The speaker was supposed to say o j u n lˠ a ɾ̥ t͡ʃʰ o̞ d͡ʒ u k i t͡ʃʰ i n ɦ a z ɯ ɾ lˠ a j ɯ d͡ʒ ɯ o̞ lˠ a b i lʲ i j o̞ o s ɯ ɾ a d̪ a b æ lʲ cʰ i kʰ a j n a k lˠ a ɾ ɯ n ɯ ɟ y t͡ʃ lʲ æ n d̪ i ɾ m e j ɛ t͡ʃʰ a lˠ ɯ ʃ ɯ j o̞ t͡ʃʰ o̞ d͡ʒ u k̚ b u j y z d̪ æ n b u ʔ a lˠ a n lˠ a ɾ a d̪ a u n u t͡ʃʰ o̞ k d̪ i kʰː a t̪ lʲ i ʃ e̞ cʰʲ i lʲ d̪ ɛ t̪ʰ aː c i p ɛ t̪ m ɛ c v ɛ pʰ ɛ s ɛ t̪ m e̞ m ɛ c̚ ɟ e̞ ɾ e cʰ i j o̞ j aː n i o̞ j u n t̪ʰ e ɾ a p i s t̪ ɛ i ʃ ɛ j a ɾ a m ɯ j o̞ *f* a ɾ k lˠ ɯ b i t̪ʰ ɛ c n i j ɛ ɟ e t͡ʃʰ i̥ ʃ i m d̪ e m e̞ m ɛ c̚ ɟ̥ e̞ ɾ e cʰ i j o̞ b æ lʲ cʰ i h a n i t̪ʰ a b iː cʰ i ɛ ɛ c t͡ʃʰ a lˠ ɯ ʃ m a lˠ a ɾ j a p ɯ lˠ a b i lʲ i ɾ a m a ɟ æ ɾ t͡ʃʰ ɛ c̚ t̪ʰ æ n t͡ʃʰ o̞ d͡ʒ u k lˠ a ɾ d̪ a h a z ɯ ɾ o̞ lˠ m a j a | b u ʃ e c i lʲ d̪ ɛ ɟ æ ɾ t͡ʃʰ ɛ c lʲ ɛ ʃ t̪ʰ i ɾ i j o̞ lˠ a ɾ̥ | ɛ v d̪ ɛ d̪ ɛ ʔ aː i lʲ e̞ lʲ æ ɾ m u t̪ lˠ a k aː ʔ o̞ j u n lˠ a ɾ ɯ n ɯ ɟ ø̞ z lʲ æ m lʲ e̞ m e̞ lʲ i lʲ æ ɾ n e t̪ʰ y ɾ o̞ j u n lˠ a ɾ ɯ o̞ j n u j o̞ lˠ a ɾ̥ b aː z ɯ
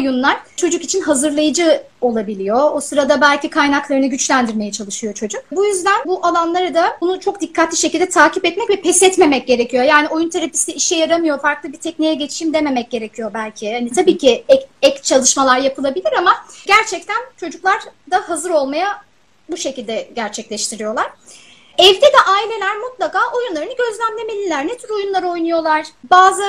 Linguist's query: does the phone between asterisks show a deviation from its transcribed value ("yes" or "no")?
no